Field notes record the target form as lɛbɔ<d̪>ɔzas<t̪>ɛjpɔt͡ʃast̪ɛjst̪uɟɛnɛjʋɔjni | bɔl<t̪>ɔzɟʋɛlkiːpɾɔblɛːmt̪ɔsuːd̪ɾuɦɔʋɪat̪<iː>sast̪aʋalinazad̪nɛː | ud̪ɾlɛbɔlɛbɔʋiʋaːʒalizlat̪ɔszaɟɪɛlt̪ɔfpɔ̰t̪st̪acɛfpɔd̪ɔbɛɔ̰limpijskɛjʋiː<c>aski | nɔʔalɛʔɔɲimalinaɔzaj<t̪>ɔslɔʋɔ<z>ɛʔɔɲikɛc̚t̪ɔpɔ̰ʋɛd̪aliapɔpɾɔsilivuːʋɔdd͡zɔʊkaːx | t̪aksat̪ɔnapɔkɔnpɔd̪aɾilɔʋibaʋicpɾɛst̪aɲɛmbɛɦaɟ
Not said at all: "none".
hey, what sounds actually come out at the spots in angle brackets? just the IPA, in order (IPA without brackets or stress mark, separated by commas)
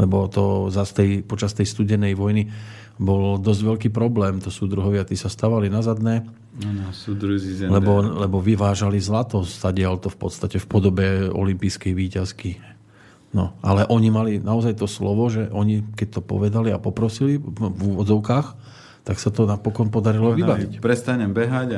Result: t̪, t̪, d̪, iː, c, t̪, ʒ